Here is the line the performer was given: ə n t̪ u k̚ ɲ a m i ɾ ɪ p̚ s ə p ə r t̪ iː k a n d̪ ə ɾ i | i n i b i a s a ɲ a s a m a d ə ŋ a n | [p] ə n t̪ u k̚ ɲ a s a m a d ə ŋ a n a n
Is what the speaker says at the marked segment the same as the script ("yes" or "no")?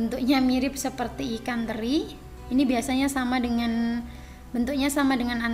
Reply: no